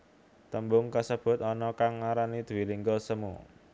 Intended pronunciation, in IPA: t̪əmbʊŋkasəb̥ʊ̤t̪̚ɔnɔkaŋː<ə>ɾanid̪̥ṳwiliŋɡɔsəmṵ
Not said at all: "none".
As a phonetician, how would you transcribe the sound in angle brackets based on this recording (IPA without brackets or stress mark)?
a